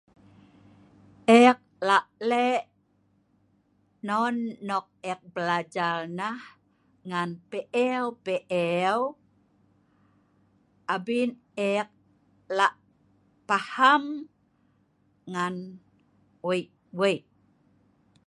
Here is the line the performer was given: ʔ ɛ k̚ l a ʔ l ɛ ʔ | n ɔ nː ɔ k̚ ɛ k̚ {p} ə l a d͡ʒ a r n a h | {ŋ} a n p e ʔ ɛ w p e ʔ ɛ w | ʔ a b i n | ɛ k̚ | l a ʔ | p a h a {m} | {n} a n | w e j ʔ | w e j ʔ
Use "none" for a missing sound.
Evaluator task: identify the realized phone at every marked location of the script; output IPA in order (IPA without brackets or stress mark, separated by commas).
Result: b, ŋ, m, ŋ